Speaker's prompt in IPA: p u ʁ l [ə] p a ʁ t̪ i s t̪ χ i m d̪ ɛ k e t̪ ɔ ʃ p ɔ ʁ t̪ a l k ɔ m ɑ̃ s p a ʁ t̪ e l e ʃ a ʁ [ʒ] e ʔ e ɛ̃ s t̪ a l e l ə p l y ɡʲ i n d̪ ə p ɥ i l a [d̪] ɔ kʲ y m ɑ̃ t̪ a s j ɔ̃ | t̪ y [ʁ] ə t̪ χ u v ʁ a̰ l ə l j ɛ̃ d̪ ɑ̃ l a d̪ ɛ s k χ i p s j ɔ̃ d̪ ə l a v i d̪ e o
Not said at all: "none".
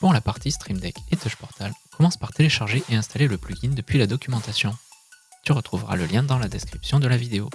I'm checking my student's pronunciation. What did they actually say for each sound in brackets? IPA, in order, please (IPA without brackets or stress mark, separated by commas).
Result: a, ʒ, d̪, ʁ